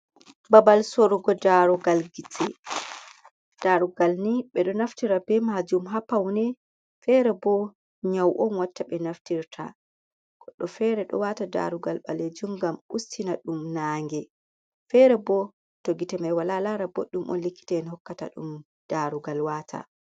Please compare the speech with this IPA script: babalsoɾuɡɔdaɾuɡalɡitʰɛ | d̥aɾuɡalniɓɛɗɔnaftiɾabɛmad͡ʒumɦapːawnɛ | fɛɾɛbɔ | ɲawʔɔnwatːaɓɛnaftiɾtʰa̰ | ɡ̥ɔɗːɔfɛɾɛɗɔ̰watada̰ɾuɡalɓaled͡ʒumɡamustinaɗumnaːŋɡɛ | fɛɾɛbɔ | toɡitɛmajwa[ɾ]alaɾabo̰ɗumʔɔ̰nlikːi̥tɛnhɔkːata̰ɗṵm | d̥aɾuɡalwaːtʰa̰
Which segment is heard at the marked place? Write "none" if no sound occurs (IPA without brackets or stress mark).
l